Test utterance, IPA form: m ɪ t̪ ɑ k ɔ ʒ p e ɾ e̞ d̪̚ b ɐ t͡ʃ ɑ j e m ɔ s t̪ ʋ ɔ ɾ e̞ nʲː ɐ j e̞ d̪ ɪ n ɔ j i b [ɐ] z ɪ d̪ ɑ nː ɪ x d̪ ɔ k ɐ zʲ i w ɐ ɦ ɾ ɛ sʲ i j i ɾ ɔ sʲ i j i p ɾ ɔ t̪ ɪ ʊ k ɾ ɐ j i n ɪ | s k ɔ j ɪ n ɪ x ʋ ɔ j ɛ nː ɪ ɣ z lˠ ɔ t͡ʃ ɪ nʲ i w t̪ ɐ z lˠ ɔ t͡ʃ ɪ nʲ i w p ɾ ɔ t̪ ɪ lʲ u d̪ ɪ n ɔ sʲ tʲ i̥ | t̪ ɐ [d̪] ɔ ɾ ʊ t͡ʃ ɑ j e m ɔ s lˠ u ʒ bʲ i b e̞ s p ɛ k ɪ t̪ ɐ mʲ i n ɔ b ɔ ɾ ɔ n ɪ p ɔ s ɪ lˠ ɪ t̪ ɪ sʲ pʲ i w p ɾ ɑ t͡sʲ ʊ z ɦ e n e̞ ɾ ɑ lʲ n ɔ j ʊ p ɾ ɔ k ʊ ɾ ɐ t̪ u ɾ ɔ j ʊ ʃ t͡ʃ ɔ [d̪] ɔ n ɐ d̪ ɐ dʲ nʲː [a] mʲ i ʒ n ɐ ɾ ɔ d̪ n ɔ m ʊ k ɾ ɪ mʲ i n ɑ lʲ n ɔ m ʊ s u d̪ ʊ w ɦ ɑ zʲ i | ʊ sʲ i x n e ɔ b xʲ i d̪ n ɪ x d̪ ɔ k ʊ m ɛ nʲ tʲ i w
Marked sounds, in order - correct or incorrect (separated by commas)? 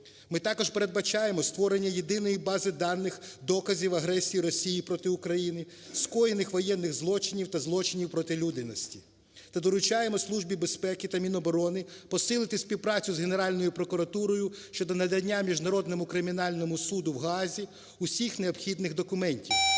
incorrect, correct, correct, correct